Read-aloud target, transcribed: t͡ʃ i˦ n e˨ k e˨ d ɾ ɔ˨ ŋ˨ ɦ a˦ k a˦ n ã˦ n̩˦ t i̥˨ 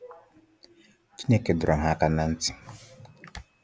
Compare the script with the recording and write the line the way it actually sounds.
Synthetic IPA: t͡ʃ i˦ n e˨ k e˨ d ɾ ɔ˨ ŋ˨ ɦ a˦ k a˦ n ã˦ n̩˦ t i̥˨